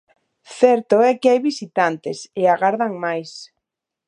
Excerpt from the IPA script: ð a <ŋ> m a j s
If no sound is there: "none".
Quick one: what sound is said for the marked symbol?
ŋ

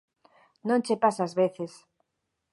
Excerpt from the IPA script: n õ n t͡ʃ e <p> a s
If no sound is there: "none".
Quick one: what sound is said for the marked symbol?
p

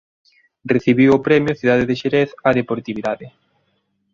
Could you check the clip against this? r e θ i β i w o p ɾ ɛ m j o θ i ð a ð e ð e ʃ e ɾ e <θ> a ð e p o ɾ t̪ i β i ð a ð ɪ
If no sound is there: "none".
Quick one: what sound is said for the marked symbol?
θ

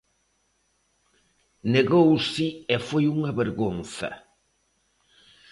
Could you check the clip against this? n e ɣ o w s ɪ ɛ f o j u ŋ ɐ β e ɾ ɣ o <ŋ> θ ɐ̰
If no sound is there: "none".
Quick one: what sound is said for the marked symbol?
n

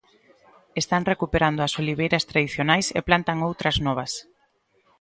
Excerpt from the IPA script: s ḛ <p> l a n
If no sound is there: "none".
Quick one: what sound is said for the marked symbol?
p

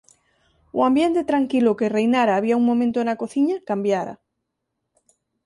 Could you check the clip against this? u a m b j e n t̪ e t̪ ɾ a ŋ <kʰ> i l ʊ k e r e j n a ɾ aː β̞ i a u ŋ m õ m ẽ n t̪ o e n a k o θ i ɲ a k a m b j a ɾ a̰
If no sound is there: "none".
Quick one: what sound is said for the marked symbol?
k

